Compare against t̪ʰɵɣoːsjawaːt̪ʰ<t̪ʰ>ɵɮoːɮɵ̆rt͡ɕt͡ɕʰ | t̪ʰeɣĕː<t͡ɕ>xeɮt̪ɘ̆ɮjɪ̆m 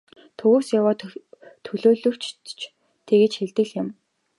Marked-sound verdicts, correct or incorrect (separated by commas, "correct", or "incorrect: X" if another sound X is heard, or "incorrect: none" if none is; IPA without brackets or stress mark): correct, correct